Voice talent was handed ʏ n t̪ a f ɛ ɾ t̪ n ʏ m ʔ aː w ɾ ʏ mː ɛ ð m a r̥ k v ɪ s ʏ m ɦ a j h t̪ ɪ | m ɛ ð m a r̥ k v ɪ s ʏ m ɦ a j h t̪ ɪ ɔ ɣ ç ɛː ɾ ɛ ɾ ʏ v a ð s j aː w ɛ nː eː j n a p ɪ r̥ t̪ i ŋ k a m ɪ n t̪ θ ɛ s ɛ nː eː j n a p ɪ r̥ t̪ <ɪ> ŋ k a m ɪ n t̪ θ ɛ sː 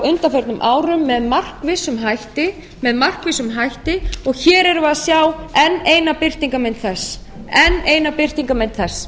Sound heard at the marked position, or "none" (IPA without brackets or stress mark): i